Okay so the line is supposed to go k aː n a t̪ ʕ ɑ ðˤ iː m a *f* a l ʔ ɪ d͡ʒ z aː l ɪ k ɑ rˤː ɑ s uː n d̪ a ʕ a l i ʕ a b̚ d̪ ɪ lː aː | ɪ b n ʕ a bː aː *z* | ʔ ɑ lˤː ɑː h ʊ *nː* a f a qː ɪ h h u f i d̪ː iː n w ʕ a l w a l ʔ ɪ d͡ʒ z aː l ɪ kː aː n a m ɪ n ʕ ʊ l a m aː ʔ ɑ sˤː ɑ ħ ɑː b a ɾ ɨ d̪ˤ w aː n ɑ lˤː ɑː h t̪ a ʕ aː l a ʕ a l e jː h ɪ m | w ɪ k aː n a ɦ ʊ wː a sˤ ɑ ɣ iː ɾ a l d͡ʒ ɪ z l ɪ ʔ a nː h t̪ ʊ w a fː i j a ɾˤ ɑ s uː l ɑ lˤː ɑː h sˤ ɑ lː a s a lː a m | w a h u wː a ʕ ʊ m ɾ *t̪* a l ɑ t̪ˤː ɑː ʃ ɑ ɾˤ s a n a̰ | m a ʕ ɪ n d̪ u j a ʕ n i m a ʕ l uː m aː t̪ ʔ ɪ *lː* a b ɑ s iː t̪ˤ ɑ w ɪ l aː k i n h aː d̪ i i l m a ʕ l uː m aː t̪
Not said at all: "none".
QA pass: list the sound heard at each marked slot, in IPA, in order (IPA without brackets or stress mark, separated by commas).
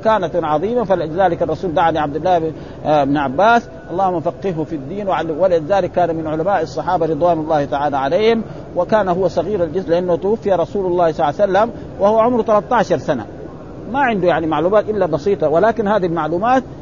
f, s, mː, t̪, lː